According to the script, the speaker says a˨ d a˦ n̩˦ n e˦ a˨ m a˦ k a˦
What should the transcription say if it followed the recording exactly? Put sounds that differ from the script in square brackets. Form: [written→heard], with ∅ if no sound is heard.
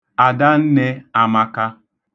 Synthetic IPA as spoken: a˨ d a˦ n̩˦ n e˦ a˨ m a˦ k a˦